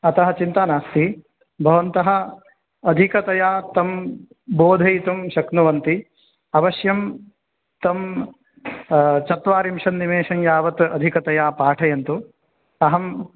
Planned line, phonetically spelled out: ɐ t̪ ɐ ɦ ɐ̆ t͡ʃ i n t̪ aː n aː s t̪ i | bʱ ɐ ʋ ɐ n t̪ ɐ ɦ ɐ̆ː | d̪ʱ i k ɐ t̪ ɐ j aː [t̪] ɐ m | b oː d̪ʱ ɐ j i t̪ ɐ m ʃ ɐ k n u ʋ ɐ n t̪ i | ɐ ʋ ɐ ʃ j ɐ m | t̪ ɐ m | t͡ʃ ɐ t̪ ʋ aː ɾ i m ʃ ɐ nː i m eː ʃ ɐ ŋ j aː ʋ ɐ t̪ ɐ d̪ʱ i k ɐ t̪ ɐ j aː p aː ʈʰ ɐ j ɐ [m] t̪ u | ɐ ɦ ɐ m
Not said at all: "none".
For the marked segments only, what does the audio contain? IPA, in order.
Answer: t̪, n

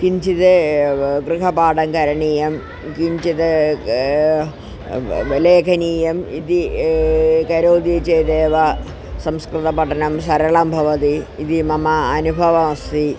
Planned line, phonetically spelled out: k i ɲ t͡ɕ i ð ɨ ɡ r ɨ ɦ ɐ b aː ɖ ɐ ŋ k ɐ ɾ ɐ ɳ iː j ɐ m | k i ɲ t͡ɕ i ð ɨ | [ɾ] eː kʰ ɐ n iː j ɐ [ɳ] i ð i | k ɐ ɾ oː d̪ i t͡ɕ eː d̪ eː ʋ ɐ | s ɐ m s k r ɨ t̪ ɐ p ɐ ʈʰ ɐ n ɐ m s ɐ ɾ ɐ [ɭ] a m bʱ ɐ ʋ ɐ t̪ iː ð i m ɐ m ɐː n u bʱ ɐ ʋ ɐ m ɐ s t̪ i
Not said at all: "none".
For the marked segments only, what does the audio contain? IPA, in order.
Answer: l, m, ɭ

